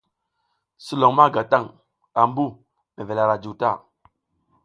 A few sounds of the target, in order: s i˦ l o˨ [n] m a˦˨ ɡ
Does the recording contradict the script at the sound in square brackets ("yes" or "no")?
yes